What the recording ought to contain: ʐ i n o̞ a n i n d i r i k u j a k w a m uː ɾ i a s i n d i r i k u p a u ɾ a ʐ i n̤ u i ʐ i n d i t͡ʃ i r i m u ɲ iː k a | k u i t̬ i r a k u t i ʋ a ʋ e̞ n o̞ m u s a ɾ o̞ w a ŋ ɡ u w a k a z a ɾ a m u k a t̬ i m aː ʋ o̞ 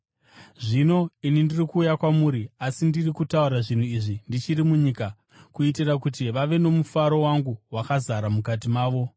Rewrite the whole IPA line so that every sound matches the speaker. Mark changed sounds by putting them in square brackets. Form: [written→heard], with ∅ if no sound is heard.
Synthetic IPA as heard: ʐ i n o̞ [a→i] n i n d i r i k [u→uː] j a k w a m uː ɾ i a s i n d i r i k u [p→t] a u ɾ a ʐ i n̤ u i ʐ i n d i t͡ʃ i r i m u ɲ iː k a | k u i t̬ i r a k u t i ʋ a ʋ e̞ n o̞ m u [s→f] a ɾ o̞ w a ŋ ɡ u w a k a z a ɾ a m u k a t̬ i m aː ʋ o̞

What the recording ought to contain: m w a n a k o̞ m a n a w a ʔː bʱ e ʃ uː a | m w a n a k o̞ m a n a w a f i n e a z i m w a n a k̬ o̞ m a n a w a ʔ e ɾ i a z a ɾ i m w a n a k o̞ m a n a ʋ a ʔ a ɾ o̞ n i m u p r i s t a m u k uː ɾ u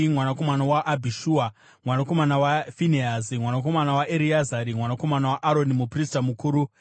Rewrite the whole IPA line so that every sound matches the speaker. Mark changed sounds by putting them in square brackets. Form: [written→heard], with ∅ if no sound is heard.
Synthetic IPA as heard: m w a n a k o̞ m a n a w a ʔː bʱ [e→i] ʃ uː a | m w a n a k o̞ m a n a w a f i n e a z i m w a n a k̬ o̞ m a n a w a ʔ e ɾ i a z a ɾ i m w a n a k o̞ m a n a [ʋ→w] a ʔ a ɾ o̞ n i m u p r i s t a m u k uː ɾ u

